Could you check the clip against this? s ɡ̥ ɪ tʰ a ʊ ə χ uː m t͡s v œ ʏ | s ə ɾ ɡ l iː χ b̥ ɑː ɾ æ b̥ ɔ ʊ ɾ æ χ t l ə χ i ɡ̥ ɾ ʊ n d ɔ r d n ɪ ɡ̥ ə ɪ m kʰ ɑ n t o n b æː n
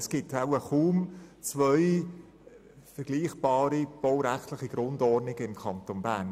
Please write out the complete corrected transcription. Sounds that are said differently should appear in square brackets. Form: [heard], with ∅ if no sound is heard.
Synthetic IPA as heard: s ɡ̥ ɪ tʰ a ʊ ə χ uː m t͡s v œ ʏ | [f] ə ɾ ɡ l iː χ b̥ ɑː ɾ [i] b̥ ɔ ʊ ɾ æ χ t l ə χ i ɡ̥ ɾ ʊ n d ɔ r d n ɪ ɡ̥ ə ɪ m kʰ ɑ n t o n b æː n